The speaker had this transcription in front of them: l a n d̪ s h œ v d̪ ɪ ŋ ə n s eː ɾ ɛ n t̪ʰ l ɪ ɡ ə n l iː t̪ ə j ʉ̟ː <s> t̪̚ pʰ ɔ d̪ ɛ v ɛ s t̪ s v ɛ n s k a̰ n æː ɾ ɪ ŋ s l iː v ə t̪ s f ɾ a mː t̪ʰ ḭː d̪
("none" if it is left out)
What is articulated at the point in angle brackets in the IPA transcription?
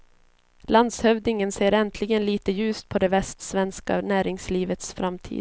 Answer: s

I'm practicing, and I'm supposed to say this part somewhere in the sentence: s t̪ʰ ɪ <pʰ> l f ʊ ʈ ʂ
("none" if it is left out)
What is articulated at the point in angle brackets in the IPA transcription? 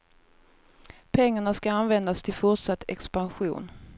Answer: none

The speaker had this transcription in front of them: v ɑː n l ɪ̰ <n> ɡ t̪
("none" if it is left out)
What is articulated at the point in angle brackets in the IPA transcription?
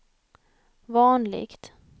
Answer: none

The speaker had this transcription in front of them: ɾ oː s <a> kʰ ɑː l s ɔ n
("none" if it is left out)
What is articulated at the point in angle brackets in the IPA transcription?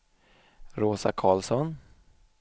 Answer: a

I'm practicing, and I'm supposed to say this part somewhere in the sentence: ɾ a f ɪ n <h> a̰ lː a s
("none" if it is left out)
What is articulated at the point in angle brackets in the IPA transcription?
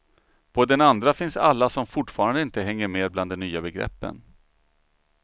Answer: s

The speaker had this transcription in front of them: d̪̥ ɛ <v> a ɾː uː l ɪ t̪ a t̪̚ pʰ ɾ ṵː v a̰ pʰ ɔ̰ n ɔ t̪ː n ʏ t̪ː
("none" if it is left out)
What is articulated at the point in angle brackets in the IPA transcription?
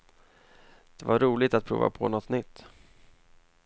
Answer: v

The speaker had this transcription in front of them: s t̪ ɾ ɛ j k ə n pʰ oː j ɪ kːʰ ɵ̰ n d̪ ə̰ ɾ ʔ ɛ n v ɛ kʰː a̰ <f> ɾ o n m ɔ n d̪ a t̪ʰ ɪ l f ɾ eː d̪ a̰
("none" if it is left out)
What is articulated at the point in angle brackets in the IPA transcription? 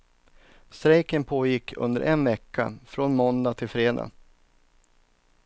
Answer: f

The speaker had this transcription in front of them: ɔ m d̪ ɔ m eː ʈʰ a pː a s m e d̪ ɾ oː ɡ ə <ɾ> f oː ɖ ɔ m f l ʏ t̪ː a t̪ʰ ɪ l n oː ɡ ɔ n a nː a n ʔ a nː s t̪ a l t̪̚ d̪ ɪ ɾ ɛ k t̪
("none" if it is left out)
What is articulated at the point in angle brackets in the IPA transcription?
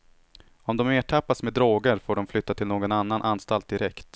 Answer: ɾ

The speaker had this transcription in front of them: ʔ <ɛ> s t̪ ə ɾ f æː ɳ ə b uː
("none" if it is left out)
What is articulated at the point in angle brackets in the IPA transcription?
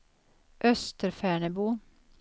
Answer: œ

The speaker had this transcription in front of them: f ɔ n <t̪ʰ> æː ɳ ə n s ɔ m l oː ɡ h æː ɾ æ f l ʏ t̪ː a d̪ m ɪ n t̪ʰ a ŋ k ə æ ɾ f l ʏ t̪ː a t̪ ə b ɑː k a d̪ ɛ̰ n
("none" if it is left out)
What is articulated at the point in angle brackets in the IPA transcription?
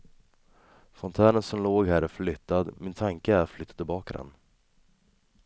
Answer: t̪ʰ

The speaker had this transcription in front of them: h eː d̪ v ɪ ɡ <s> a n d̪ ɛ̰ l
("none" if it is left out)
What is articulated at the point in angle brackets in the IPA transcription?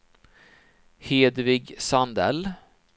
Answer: s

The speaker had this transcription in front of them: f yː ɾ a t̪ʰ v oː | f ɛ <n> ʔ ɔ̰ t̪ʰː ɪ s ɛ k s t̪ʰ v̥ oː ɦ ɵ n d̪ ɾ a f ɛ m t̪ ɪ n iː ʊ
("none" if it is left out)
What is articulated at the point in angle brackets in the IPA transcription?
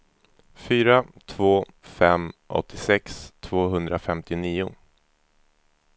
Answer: m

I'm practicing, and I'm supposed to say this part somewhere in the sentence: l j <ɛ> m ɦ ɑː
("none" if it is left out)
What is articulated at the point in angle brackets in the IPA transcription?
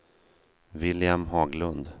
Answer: a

